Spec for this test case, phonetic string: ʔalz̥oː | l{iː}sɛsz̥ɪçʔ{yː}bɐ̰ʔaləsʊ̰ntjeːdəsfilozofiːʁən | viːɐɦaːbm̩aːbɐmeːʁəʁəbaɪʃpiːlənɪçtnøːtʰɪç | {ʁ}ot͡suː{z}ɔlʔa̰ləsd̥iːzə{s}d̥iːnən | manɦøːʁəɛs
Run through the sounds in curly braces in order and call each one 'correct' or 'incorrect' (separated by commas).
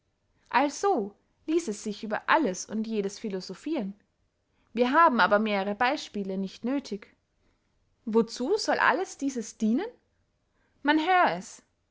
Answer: correct, correct, incorrect, correct, correct